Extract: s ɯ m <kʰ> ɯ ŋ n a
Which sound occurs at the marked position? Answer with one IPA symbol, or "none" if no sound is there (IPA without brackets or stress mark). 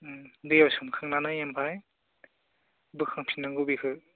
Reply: kʰ